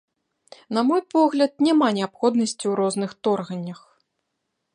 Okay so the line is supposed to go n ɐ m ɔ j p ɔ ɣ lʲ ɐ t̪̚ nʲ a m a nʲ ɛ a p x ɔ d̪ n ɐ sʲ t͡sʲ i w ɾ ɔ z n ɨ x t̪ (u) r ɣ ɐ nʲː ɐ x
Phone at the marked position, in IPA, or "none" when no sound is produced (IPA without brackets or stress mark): ɔ